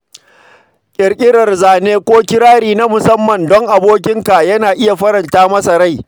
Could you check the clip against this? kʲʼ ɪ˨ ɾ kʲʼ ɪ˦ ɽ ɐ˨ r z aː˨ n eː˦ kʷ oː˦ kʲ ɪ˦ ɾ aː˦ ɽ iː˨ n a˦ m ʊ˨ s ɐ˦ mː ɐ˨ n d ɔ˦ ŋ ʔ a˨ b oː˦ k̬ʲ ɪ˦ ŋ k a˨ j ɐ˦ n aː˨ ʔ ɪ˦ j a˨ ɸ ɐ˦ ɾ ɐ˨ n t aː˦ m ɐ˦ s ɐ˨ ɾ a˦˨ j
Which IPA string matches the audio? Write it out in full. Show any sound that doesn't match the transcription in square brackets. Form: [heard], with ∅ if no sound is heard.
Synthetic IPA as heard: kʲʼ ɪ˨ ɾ kʲʼ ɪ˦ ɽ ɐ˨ r z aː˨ n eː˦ kʷ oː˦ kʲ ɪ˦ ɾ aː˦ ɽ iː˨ n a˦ m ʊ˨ s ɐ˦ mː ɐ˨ n d ɔ˦ ŋ ʔ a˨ b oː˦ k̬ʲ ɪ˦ ŋ k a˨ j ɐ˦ n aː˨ ʔ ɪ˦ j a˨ ɸ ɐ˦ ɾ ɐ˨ n t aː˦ m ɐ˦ s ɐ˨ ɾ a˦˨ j